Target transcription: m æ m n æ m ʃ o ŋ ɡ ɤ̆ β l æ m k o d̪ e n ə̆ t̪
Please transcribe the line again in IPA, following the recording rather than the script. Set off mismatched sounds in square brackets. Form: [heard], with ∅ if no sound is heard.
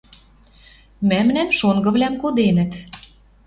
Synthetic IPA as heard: m æ m n æ m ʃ o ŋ ɡ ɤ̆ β l æ m k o d̪ e n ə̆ t̪